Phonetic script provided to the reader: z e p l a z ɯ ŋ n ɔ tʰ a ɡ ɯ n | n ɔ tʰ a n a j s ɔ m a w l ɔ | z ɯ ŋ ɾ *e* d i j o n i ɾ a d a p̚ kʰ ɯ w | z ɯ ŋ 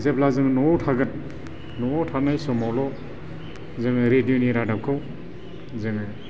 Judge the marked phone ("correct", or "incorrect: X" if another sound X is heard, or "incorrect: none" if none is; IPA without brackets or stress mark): correct